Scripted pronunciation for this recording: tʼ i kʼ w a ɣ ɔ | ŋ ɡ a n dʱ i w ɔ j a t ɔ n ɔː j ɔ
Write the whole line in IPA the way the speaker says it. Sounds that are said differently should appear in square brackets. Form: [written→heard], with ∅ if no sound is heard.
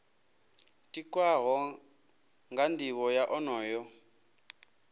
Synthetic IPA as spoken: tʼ i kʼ w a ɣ ɔ | ŋ ɡ a n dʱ i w ɔ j a [t→ʔ] ɔ n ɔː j ɔ